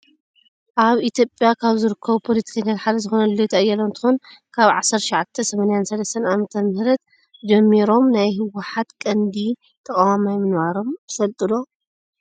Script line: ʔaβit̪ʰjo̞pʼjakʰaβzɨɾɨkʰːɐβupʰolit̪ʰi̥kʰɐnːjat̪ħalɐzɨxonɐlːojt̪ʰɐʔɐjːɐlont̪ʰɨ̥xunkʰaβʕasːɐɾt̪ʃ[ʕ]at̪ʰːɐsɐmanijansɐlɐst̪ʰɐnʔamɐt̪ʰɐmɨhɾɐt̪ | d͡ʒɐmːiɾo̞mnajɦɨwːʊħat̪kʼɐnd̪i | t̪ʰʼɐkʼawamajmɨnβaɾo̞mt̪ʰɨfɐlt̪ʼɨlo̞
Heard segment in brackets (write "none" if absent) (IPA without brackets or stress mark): ʕ